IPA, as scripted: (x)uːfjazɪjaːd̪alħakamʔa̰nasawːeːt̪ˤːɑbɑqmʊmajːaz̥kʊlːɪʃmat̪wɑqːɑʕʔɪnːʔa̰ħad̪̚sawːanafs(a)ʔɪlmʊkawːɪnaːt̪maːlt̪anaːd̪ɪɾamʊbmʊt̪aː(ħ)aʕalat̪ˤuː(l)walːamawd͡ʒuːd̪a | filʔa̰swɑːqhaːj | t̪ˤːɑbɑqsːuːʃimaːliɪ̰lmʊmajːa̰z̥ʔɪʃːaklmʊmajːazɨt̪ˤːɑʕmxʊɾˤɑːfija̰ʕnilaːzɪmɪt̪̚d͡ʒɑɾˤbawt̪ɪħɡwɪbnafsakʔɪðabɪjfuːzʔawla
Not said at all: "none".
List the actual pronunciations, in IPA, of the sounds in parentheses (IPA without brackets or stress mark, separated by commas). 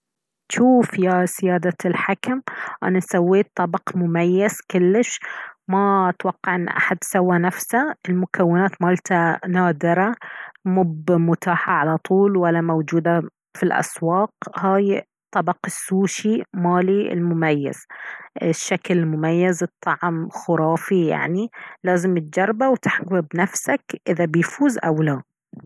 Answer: ʃ, a, ħ, l